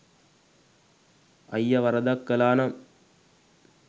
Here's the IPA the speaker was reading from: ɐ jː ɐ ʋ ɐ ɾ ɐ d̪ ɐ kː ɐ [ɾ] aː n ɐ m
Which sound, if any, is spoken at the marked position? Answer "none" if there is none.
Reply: l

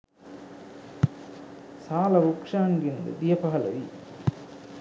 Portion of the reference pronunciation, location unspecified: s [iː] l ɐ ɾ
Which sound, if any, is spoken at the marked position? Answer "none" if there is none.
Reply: aː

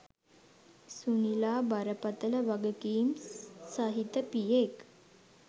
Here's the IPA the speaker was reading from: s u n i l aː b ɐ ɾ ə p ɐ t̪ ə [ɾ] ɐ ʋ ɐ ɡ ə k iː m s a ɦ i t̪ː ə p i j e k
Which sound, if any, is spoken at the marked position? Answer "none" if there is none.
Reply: l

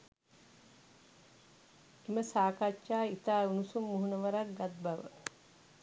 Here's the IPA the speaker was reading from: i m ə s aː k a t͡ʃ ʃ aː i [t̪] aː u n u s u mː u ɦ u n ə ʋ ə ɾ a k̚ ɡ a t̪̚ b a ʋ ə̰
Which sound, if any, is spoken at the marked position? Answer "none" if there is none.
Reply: t̪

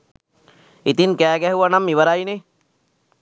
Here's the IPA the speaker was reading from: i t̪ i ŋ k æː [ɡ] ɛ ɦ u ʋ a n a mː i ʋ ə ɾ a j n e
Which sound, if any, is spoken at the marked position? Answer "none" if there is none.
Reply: ɡ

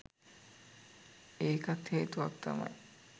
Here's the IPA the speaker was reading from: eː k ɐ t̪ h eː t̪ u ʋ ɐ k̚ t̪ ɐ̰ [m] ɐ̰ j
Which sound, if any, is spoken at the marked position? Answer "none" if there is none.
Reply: m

